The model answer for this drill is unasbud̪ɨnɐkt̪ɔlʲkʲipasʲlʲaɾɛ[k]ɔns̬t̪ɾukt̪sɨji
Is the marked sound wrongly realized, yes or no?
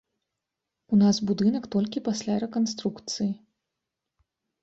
no